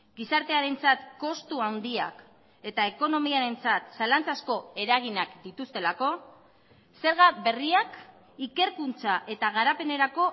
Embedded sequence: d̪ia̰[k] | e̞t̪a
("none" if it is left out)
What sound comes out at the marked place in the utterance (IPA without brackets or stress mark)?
k